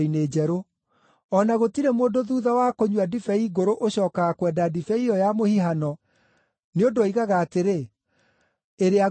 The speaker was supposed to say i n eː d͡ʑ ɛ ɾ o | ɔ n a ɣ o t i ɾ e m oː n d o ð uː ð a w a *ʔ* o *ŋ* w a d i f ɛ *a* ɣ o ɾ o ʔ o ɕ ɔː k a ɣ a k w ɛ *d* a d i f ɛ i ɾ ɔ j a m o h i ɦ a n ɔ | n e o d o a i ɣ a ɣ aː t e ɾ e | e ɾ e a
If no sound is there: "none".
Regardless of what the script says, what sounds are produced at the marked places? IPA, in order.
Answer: k, ɲ, i, d

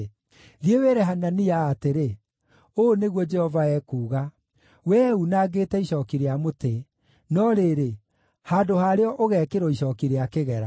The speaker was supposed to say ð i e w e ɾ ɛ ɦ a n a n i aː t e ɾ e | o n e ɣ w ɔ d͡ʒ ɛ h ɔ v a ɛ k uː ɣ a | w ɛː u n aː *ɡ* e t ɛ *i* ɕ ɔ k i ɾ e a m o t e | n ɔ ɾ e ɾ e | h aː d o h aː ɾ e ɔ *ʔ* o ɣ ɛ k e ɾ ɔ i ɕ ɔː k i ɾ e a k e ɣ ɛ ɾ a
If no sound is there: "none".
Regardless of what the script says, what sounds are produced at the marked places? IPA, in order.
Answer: ɡ, i, ʔ

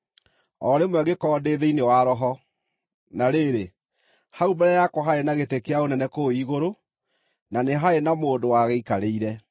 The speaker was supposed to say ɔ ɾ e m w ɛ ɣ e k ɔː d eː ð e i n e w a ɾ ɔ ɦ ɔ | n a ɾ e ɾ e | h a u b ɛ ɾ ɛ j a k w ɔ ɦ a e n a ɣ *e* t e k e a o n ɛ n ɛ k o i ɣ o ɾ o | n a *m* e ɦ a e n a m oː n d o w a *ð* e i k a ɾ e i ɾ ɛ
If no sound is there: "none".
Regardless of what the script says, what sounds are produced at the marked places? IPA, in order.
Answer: e, n, ɣ

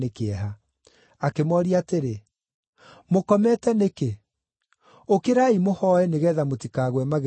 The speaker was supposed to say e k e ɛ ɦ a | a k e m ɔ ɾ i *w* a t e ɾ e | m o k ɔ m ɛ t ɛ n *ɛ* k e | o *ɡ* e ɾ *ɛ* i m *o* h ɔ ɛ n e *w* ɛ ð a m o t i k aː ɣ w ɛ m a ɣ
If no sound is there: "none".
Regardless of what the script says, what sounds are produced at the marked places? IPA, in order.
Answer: none, e, k, a, o, ɣ

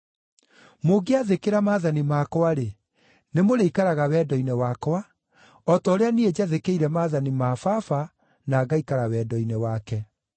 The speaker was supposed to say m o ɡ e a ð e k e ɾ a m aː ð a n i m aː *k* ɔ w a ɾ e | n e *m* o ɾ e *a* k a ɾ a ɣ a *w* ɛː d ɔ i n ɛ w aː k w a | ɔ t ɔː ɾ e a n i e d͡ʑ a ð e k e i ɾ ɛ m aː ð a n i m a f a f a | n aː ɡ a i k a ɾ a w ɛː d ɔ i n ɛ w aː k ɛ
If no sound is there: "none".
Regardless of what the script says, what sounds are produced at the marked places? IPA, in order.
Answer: k, m, i, w

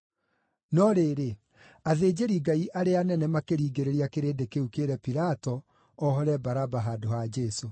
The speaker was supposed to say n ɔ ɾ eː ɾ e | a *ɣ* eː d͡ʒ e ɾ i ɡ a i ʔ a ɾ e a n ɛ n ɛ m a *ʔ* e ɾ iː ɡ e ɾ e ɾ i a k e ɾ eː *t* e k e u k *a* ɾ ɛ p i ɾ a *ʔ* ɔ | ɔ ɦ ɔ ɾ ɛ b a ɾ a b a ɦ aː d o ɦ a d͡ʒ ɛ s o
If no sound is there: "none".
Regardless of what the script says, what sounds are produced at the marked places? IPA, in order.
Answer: ð, k, d, e, t

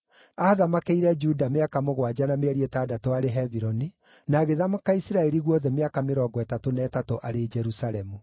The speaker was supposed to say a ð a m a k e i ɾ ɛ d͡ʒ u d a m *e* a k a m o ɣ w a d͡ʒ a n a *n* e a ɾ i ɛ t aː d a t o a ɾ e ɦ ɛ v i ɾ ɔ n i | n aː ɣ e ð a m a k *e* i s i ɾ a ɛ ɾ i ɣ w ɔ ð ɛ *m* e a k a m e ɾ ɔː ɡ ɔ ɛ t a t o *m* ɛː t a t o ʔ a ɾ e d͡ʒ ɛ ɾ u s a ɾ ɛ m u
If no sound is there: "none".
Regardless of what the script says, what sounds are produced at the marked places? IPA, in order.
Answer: e, m, a, m, n

